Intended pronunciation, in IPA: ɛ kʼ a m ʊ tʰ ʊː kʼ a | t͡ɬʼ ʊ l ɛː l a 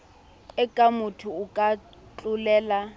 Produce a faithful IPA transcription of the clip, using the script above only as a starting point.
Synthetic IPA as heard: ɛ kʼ a m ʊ tʰ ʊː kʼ a | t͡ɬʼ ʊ l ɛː l a